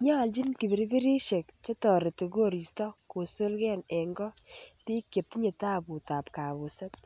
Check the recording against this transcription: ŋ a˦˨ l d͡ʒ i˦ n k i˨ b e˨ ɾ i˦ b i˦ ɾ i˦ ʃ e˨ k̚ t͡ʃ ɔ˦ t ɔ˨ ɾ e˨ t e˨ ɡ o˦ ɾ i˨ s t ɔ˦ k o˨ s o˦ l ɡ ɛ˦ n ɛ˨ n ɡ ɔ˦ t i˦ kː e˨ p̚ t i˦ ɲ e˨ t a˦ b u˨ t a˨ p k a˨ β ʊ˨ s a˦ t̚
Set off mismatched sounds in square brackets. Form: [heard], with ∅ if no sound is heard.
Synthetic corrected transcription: [ɲ] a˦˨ l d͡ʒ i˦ n k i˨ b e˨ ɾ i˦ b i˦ ɾ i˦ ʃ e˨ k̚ t͡ʃ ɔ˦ t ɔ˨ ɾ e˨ t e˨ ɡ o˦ ɾ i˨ s t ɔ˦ k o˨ s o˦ l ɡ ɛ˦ n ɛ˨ [ŋ] ɡ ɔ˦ t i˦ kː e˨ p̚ t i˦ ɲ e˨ t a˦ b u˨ t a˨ p k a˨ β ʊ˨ s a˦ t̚